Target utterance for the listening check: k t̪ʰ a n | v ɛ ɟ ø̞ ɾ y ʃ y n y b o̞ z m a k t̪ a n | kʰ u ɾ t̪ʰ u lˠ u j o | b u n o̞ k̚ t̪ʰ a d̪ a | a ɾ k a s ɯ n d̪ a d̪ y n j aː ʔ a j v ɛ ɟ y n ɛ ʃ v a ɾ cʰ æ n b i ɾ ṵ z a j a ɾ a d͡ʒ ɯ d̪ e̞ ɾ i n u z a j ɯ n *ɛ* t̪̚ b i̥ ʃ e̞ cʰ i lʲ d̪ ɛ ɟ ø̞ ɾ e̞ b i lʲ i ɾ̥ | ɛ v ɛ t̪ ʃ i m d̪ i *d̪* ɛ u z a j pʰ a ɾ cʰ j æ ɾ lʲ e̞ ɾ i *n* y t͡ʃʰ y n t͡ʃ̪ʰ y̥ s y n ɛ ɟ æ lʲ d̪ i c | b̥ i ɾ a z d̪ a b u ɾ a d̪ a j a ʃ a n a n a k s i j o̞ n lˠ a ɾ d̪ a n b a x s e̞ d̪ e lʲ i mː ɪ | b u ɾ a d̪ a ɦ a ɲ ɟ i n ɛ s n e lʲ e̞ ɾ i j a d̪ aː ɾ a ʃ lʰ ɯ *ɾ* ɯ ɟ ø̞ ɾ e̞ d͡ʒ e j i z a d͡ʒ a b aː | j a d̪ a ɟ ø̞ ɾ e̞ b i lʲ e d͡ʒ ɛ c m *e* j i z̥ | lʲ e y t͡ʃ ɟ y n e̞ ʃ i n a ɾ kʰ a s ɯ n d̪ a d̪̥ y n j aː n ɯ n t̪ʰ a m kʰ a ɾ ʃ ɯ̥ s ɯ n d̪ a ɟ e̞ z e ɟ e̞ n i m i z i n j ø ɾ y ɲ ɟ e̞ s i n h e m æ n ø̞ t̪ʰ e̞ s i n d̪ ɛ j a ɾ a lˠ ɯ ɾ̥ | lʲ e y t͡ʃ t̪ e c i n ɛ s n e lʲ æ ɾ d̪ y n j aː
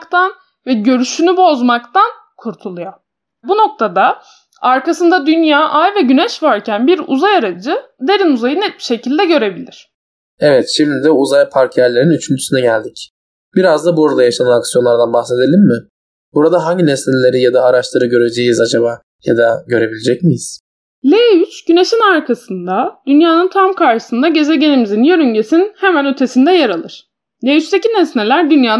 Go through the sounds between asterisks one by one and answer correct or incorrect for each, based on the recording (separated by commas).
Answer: correct, correct, correct, correct, incorrect